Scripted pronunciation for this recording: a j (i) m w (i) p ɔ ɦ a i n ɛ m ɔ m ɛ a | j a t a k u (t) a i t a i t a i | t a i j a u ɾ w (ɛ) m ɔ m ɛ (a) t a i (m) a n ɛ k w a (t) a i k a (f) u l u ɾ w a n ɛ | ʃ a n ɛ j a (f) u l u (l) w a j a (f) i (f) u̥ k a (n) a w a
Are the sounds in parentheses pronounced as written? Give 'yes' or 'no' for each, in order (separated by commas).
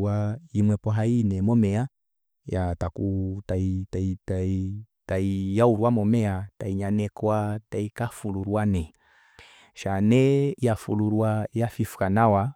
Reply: yes, no, yes, no, yes, no, yes, yes, yes, no, yes, yes, yes